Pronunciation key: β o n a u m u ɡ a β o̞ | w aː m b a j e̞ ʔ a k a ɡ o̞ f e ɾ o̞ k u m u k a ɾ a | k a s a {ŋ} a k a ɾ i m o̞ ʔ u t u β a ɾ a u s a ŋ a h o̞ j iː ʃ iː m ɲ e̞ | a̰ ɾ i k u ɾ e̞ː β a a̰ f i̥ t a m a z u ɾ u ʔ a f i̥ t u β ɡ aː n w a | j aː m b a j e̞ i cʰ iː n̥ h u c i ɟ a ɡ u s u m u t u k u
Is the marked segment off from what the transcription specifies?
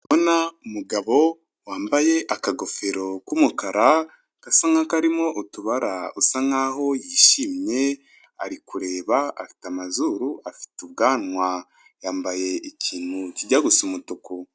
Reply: no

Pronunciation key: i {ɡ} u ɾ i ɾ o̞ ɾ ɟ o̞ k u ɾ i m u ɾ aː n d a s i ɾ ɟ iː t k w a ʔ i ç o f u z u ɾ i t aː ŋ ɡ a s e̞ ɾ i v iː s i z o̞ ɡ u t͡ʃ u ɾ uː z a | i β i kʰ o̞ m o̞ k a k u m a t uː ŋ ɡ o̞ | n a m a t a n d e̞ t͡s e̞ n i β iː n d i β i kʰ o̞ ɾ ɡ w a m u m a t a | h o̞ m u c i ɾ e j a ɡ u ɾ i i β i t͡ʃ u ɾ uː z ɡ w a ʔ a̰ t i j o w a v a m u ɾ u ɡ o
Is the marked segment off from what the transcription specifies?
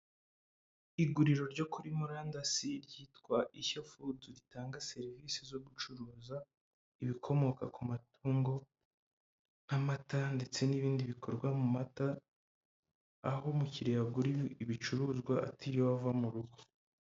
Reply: no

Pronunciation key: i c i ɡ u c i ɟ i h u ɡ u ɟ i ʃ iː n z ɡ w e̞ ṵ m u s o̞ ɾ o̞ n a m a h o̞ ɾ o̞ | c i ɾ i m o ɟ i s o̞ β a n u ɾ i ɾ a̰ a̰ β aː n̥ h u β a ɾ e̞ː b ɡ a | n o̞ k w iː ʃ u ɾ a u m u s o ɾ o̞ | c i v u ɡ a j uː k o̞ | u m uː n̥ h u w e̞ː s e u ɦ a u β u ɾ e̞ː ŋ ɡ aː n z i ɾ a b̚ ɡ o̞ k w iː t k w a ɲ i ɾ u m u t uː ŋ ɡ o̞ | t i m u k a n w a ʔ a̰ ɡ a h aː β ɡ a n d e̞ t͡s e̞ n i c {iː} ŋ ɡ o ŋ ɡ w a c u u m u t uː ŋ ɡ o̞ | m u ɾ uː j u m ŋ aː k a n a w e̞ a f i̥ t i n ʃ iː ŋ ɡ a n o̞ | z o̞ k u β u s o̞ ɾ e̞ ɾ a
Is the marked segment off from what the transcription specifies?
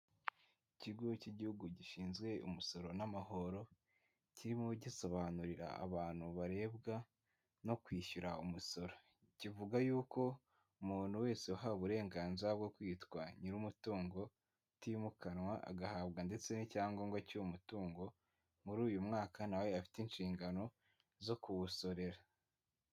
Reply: yes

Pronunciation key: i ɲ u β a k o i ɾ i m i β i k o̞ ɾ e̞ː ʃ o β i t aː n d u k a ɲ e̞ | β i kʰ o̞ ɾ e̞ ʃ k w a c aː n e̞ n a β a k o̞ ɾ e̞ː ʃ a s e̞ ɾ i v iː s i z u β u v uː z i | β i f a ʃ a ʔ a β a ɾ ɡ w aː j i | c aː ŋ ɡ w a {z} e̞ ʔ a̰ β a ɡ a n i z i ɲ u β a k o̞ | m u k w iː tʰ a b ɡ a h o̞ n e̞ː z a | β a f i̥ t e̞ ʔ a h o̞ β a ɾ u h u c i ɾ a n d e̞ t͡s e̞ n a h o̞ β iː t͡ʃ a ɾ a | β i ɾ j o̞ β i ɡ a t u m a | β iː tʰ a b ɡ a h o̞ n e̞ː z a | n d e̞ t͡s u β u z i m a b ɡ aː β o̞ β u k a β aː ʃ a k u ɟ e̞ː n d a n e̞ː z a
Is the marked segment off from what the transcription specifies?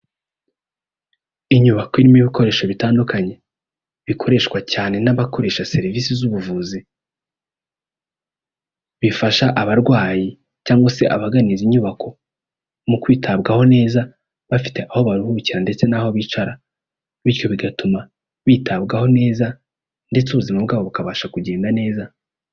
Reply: yes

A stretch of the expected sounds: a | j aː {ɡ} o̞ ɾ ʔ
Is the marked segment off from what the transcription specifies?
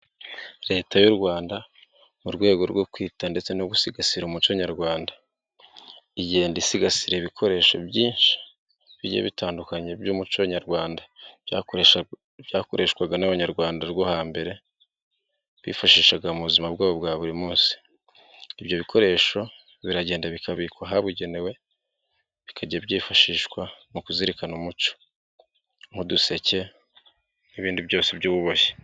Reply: yes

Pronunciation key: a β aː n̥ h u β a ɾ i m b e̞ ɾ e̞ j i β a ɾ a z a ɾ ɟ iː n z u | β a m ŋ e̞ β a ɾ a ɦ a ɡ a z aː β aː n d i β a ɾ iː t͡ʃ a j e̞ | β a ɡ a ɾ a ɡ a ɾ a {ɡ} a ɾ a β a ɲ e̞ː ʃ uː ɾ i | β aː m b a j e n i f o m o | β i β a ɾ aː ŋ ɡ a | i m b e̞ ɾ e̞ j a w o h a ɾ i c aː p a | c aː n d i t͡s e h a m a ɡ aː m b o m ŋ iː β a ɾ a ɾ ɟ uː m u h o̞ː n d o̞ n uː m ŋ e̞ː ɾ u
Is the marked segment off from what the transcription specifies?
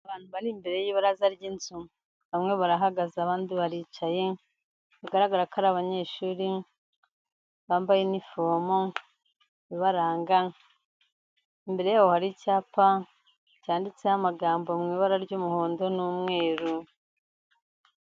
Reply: yes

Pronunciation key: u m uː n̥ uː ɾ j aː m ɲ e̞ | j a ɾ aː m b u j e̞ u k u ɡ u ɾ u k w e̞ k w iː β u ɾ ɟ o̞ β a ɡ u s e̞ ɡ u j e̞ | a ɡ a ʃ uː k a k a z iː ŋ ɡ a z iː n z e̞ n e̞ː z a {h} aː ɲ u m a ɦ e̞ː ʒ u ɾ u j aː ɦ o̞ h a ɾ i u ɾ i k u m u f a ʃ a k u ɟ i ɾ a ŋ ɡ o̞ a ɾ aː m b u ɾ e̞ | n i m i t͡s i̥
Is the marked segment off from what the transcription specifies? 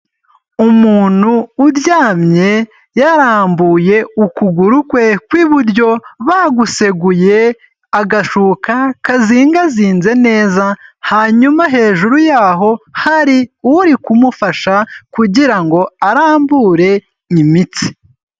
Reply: no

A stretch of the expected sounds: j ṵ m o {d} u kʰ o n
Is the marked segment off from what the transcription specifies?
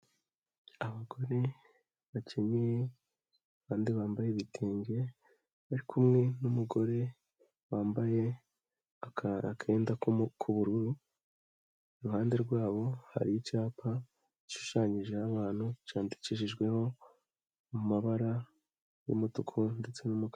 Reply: yes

